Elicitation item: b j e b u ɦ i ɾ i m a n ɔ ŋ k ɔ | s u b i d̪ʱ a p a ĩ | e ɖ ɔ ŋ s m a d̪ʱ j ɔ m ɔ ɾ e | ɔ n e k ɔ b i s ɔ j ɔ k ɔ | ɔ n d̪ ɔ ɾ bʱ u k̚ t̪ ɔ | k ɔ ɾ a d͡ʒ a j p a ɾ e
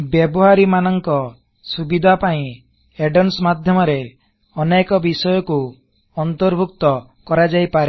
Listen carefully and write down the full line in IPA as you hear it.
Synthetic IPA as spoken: b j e b ɔ ɦ a ɾ i m a n ɔ ŋ k ɔ | s u b i d̪ʱ a p a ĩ | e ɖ ɔ n s m a d̪ʱ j ɔ m ɔ ɾ e | ɔ n e k ɔ b i s ɔ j ɔ k u | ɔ n t̪ ɔ ɾ bʱ u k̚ t̪ ɔ | k ɔ ɾ a d͡ʒ a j p a ɾ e

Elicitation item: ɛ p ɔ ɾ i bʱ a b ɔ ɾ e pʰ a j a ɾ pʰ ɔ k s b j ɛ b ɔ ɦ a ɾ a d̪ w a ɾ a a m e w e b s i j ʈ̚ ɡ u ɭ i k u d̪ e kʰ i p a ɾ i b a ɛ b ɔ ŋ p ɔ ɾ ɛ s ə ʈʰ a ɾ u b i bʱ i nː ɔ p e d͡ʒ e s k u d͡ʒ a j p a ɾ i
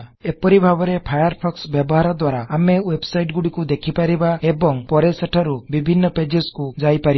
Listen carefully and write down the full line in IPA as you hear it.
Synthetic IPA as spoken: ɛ p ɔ ɾ i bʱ a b ɔ ɾ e pʰ a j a ɾ pʰ ɔ k s b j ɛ b ɔ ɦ a ɾ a d̪ w a ɾ a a m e w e b s a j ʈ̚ ɡ u ɽ i k u d̪ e kʰ i p a ɾ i b a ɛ b ɔ ŋ p ɔ ɾ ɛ s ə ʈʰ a ɾ u b i bʱ i nː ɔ p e d͡ʒ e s k u d͡ʒ a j p a ɾ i

